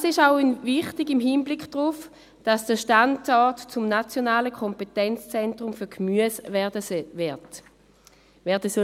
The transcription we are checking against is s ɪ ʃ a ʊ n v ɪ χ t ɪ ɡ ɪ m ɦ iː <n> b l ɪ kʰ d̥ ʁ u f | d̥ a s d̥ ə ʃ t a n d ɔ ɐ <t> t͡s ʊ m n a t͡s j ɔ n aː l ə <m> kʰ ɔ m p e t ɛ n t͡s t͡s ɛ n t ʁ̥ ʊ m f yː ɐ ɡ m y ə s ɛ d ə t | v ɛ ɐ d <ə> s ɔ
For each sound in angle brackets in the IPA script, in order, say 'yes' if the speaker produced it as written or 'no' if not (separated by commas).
yes, yes, no, yes